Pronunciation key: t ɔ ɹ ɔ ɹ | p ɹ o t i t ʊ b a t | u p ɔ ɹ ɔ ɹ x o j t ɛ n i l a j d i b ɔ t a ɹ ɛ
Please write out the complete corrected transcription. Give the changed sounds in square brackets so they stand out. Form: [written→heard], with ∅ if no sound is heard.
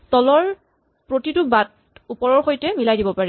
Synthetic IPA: t ɔ [ɹ→l] ɔ ɹ | p ɹ o t i t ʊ b a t | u p ɔ ɹ ɔ ɹ x o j t ɛ [n→m] i l a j d i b ɔ [t→p] a ɹ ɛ